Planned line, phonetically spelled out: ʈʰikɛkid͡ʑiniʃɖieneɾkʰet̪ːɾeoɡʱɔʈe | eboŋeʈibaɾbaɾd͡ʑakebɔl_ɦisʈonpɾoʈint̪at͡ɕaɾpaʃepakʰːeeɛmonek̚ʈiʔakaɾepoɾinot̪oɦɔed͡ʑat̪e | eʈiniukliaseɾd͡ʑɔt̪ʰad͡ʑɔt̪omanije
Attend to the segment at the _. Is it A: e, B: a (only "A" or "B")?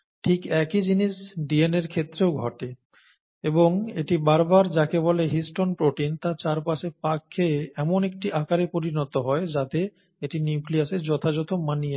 A